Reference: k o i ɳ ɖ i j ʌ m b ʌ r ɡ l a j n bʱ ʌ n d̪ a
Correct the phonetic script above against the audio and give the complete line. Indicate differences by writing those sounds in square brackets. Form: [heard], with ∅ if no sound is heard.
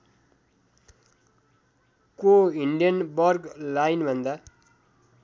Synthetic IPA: k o i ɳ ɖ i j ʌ [n] b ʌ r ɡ l a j n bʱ ʌ n d̪ a